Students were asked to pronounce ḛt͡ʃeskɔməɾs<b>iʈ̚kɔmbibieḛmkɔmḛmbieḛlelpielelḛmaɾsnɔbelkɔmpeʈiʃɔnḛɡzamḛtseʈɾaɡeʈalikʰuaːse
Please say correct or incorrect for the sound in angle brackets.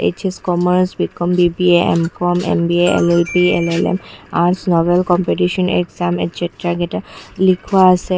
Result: correct